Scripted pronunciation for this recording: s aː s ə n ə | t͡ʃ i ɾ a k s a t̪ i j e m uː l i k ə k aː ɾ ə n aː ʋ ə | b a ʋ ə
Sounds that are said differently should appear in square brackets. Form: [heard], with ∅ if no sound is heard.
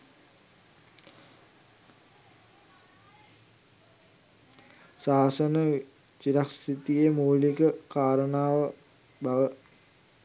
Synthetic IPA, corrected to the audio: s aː s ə n ə | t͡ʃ i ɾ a k s [i] t̪ i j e m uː l i k ə k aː ɾ ə n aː ʋ ə | b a ʋ ə